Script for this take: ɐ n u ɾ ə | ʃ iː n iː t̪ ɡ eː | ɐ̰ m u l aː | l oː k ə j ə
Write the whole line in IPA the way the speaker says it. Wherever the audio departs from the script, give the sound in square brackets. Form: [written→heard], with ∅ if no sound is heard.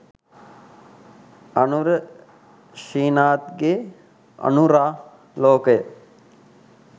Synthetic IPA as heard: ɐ n u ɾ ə | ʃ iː n [iː→aː] t̪ ɡ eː | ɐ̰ [m→n] u [l→ɾ] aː | l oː k ə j ə